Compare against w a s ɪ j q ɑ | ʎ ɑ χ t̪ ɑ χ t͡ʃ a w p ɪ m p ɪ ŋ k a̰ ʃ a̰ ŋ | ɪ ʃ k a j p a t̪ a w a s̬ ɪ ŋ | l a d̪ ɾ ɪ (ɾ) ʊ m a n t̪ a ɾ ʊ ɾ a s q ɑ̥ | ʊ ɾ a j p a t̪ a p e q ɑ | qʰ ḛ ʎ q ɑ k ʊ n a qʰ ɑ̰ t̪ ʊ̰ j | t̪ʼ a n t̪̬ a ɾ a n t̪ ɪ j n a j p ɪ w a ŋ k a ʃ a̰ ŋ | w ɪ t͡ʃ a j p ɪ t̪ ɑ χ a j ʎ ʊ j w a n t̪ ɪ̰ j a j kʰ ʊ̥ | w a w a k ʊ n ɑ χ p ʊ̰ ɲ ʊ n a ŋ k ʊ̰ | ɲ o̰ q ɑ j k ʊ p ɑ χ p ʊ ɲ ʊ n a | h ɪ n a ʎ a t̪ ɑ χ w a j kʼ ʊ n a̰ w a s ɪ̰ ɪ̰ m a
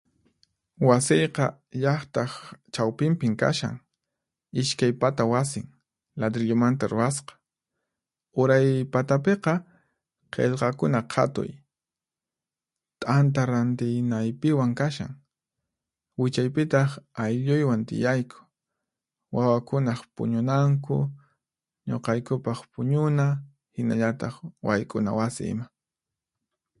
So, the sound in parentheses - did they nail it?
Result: no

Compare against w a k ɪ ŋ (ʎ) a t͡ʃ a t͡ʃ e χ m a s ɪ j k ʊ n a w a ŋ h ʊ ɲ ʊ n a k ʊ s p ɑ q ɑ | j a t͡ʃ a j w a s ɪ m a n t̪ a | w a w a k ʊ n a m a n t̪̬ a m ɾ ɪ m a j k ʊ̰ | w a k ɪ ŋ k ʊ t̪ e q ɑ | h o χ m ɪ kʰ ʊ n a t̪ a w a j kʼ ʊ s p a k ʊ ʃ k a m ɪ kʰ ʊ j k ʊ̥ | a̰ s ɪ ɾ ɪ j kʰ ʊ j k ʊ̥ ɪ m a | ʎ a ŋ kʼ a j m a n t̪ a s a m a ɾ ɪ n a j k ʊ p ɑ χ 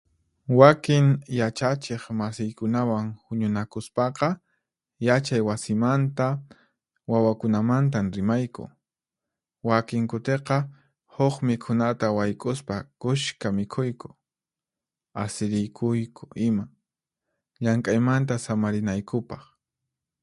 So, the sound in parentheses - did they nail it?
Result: no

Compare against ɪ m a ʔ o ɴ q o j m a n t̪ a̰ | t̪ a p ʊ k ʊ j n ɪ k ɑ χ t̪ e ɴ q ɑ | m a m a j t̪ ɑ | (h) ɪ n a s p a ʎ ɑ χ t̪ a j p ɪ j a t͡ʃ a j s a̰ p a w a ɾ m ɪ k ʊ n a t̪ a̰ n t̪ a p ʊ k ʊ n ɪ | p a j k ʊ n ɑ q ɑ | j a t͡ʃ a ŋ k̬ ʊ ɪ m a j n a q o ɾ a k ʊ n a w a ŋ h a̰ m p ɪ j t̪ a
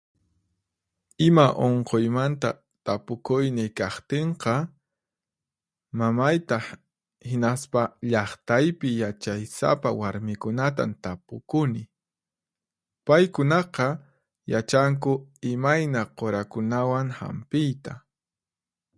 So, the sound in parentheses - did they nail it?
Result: yes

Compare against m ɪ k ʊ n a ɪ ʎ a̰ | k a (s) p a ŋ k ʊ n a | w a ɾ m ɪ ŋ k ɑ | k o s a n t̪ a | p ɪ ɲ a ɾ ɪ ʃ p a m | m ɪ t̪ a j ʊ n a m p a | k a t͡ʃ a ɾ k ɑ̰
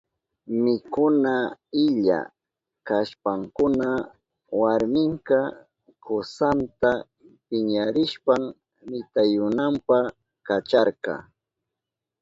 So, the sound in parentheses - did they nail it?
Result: no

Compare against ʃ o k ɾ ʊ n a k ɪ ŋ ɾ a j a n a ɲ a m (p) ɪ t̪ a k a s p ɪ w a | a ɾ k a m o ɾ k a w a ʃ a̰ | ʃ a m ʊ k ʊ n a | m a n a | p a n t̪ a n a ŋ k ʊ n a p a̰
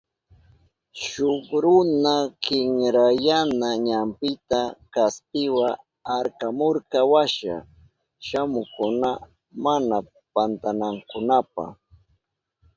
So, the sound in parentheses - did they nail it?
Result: yes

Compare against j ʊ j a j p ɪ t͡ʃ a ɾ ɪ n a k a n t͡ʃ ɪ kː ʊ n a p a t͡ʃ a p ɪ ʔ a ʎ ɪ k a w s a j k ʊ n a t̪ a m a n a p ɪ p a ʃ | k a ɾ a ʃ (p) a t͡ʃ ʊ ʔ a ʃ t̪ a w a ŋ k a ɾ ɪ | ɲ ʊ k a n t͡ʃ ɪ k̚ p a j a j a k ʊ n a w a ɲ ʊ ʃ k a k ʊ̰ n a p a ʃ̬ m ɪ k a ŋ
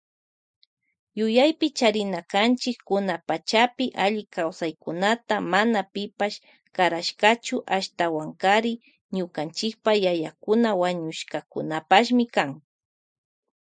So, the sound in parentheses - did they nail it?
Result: no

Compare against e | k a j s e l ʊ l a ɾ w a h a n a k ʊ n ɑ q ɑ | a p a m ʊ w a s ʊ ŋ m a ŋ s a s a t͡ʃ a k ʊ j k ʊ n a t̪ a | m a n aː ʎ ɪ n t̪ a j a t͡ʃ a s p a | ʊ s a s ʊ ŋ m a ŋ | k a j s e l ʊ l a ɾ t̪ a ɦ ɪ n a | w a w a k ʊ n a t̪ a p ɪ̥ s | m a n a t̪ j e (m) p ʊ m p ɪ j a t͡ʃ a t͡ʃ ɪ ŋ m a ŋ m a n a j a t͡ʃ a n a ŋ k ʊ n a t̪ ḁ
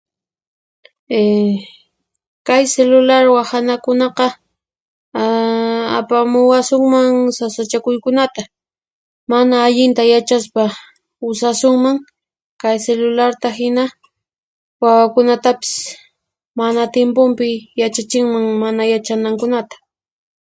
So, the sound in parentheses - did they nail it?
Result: yes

